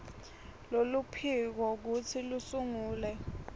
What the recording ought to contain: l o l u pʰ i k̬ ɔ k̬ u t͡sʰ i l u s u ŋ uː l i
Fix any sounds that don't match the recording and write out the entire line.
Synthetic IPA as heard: l o l u pʰ i k̬ ɔ k̬ u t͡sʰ i l u s u ŋ uː l ɛ